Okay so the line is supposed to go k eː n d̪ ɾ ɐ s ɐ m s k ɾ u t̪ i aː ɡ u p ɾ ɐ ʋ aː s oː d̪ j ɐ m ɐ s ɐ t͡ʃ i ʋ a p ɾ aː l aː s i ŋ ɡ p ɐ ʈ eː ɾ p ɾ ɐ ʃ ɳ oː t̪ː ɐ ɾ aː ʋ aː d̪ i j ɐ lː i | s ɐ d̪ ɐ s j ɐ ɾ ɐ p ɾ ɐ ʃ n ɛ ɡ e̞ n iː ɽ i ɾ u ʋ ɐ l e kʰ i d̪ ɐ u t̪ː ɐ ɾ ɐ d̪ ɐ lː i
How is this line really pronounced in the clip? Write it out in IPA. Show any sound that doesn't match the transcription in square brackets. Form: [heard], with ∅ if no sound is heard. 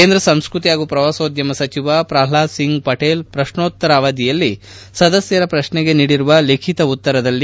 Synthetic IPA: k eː n d̪ ɾ ɐ s ɐ m s k ɾ u t̪ i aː ɡ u p ɾ ɐ ʋ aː s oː d̪ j ɐ m ɐ s ɐ t͡ʃ i ʋ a p ɾ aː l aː s i ŋ ɡ p ɐ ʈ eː [l] p ɾ ɐ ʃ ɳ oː t̪ː ɐ ɾ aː ʋ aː d̪ i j ɐ lː i | s ɐ d̪ ɐ s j ɐ ɾ ɐ p ɾ ɐ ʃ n ɛ ɡ e̞ n iː ɽ i ɾ u ʋ ɐ l e kʰ i [t̪] ɐ u t̪ː ɐ ɾ ɐ d̪ ɐ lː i